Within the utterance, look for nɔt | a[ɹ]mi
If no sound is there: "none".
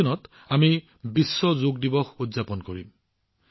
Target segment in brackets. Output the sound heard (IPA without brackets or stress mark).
none